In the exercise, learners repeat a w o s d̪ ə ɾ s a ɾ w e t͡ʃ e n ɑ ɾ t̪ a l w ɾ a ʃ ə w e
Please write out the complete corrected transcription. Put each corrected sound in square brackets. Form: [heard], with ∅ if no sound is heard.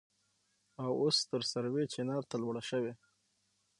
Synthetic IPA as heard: a w o s [t̪] ə ɾ s a ɾ w e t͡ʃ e n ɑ ɾ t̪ a l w [ɽ] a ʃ ə w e